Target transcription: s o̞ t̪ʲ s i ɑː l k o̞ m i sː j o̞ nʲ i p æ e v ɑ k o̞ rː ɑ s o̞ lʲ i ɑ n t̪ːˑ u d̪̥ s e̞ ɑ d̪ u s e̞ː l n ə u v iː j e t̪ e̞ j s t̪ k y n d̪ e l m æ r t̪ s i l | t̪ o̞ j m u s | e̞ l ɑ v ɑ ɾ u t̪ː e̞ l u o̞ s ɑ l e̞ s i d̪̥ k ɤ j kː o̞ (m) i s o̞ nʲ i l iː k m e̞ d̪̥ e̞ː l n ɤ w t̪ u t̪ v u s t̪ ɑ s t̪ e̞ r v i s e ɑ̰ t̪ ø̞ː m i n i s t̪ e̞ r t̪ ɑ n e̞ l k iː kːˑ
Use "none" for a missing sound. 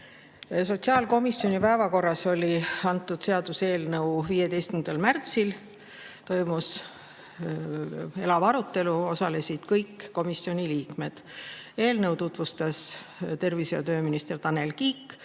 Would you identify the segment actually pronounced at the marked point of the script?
m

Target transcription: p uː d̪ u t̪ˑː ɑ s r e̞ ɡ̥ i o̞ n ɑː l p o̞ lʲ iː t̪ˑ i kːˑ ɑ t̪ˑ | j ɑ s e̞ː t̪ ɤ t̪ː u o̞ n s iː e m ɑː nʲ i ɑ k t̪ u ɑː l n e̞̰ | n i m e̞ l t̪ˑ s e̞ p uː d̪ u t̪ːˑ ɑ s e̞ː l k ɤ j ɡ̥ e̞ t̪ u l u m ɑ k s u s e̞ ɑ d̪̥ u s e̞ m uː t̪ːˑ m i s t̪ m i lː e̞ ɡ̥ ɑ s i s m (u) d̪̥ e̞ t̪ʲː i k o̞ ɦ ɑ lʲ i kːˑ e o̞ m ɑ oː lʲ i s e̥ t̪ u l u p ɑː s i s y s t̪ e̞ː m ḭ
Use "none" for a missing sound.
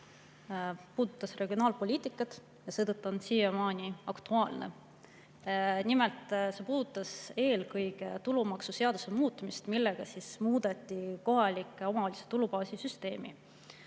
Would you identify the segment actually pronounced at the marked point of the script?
uː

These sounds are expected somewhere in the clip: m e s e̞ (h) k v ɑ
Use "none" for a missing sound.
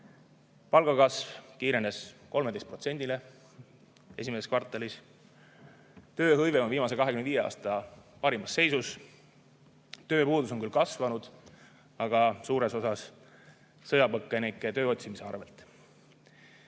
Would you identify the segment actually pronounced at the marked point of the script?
s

